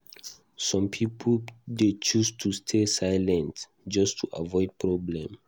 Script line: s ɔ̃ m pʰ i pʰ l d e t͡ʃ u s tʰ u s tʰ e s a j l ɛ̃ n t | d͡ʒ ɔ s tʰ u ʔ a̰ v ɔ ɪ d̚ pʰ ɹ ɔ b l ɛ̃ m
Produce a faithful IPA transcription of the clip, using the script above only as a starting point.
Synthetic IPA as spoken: s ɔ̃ m pʰ i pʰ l d e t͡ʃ u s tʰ u s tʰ e s a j l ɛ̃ n t | d͡ʒ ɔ s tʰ u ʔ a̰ v ɔ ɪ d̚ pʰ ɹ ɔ b l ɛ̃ m